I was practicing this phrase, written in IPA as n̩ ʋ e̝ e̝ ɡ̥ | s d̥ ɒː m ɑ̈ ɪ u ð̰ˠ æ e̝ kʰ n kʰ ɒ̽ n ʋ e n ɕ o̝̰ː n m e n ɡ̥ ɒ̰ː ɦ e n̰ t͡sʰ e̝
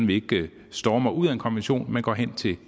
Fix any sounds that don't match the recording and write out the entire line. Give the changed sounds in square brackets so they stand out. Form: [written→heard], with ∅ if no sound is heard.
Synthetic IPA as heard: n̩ ʋ e̝ e̝ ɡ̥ | s d̥ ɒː m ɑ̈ ɪ u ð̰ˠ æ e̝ [kʰ→∅] n kʰ ɒ̽ n ʋ e n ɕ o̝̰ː n m e n ɡ̥ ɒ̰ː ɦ e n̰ t͡sʰ e̝

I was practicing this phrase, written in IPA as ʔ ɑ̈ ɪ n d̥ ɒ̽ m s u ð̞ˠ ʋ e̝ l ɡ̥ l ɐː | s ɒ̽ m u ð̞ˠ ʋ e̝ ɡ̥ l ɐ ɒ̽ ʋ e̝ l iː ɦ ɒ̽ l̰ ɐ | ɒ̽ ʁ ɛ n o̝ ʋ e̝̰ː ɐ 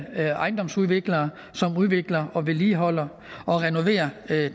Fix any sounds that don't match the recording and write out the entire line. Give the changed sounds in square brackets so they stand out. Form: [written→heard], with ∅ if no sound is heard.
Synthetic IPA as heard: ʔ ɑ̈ ɪ n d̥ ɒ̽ m s u ð̞ˠ ʋ e̝ [l→∅] ɡ̥ l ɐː | s ɒ̽ m u ð̞ˠ ʋ e̝ ɡ̥ l ɐ ɒ̽ ʋ e̝ l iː ɦ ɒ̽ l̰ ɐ | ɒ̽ ʁ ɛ n o̝ ʋ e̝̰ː ɐ

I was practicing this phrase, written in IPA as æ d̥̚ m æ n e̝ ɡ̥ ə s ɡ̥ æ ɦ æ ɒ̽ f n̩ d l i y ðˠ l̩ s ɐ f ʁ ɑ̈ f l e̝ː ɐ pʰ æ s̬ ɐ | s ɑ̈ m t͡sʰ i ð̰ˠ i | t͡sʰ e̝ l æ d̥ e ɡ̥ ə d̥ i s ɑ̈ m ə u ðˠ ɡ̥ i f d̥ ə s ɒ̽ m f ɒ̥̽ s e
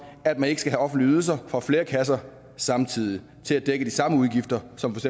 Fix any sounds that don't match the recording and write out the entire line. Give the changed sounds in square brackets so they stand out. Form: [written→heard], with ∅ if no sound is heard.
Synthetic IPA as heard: æ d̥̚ m æ n e̝ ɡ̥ ə s ɡ̥ æ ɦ æ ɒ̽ f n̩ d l i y ðˠ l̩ s ɐ f ʁ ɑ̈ f l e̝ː ɐ [pʰ→kʰ] æ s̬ ɐ | s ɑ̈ m t͡sʰ i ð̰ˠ i | t͡sʰ e̝ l æ d̥ e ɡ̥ ə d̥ i s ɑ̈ m ə u ðˠ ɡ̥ i f d̥ [ə→ɐ] s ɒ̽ m f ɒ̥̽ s e

